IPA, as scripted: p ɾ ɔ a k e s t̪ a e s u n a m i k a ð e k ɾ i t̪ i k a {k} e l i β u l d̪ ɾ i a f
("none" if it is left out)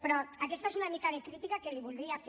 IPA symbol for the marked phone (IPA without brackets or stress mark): k